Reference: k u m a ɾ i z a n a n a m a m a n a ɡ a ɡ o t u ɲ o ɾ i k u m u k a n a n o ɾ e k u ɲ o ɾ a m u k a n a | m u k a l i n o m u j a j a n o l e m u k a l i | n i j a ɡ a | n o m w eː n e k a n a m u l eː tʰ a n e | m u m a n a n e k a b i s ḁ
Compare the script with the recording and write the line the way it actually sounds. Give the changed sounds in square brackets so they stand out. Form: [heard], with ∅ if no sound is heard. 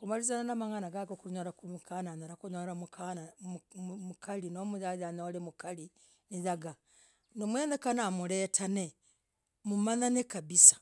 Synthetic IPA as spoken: k u m a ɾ i z a n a n a m a [ŋ] a n a ɡ a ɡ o [k] u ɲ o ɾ [a] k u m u k a n a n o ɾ [a] k u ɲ o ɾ a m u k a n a | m u k a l i n o m u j a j a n o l e m u k a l i | n i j a ɡ a | n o m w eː n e k a n a m u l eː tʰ a n e | m u m a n a n e k a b i s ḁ